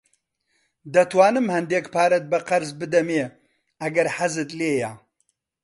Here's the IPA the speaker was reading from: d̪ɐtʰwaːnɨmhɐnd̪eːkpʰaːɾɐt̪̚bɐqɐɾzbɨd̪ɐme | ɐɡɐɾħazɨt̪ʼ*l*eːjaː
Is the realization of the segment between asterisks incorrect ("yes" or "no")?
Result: no